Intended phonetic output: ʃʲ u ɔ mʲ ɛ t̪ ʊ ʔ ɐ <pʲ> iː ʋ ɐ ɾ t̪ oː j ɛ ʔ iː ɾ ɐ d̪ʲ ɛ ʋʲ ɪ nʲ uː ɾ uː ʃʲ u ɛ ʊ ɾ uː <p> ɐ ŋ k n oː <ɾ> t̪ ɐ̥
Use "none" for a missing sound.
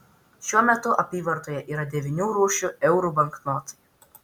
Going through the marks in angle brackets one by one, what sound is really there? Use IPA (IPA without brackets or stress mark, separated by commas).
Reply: pʲ, b, none